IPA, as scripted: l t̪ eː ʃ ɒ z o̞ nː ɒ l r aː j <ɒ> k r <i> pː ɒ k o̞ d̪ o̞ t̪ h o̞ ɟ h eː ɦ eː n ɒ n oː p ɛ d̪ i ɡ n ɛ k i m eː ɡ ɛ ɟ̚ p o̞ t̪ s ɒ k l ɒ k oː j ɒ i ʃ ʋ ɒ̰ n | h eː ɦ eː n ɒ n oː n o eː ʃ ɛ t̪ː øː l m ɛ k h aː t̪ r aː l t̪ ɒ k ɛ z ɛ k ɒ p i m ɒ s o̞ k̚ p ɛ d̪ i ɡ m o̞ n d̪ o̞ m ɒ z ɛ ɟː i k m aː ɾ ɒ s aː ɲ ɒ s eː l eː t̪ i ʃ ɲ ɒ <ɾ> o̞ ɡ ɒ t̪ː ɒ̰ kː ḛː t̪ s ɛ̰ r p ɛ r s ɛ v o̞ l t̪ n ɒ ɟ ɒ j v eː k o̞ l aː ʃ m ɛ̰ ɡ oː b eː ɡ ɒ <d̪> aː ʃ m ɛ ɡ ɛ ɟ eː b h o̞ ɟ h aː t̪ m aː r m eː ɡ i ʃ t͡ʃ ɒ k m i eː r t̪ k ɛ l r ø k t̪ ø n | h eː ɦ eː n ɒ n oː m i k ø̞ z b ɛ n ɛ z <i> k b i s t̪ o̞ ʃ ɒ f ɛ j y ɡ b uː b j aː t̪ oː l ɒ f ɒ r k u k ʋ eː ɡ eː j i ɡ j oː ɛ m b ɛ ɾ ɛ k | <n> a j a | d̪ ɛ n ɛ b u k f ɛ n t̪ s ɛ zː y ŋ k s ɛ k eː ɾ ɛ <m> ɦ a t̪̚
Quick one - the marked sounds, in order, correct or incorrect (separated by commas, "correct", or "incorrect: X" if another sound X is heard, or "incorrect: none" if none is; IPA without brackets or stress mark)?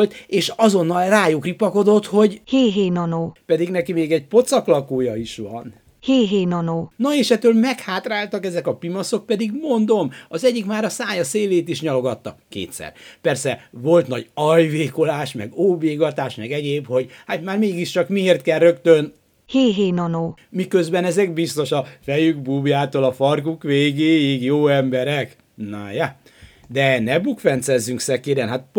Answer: incorrect: u, correct, incorrect: l, incorrect: t̪, incorrect: ɛ, correct, incorrect: n